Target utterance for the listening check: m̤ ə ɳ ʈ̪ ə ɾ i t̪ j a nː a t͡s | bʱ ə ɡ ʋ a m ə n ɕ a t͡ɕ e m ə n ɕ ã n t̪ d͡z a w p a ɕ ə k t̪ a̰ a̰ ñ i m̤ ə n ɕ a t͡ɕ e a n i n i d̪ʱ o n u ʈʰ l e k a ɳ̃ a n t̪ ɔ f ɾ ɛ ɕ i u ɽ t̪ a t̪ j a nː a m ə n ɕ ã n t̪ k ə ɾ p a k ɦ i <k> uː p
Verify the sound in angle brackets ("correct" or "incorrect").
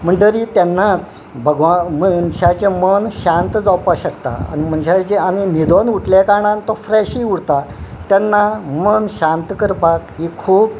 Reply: incorrect